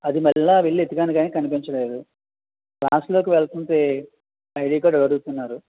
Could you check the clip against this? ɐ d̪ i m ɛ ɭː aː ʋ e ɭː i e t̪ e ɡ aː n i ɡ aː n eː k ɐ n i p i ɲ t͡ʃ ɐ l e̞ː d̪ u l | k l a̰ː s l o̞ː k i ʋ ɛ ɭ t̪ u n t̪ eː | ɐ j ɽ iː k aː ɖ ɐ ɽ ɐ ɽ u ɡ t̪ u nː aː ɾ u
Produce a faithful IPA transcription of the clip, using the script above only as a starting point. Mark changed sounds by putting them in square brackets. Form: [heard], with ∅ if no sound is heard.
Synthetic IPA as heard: ɐ d̪ i m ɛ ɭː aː ʋ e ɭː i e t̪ [i] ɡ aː n i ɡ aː n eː k ɐ n i p i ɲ t͡ʃ ɐ l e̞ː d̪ u [∅] | k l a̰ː s l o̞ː k i ʋ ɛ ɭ t̪ u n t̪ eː | ɐ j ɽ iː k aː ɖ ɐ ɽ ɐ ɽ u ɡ t̪ u nː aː ɾ u